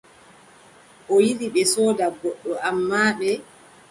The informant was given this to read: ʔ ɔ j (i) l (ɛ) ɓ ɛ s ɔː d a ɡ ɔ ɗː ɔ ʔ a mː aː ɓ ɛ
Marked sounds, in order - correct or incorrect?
correct, incorrect: i

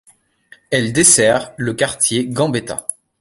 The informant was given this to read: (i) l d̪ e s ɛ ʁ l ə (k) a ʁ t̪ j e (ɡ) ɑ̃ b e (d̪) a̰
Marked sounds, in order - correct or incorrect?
incorrect: ɛ, correct, correct, incorrect: t̪

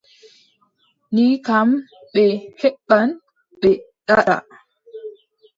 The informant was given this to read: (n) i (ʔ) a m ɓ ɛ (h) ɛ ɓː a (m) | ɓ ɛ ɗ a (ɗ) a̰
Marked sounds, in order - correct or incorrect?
correct, incorrect: k, correct, incorrect: n, correct

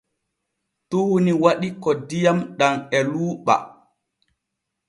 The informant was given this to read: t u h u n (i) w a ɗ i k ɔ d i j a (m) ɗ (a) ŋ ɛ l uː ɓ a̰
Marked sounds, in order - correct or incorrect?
correct, correct, correct

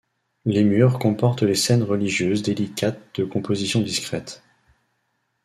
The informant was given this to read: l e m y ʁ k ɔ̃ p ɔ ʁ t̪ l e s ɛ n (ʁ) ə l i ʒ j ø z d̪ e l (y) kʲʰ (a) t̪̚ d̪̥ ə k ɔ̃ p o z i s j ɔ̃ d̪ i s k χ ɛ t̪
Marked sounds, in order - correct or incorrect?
correct, incorrect: i, correct

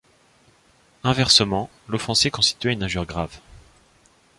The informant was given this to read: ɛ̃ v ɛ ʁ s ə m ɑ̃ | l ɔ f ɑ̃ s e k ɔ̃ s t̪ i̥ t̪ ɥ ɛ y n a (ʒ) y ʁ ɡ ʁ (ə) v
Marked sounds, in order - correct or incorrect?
correct, incorrect: a

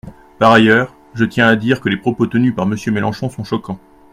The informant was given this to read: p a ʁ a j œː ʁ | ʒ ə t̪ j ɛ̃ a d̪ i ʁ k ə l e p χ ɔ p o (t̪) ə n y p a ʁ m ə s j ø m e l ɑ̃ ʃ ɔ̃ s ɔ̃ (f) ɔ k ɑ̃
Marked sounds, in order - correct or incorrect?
correct, incorrect: ʃ

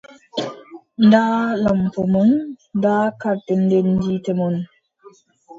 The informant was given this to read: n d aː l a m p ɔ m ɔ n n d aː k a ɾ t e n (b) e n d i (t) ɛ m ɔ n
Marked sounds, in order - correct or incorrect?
incorrect: d, correct

